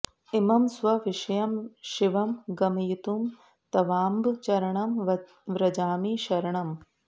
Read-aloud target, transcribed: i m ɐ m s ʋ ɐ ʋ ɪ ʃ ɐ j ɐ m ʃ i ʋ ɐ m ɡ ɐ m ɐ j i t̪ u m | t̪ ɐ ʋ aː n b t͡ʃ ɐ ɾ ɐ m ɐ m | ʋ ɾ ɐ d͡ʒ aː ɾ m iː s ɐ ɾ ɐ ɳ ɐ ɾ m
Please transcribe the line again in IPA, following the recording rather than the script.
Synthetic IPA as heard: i m ɐ m s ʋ ɐ ʋ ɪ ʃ ɐ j ɐ m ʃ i ʋ ɐ m ɡ ɐ m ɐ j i t̪ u m | t̪ ɐ ʋ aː m b t͡ʃ ɐ ɾ ɐ ɳ ɐ m | ʋ ɾ ɐ d͡ʒ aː m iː ʃ ɐ ɾ ɐ ɳ ɐ m